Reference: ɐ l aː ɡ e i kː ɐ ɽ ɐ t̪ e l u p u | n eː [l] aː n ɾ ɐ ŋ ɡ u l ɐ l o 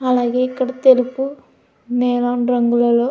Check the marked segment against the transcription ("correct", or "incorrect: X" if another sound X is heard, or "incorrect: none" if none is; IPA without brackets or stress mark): correct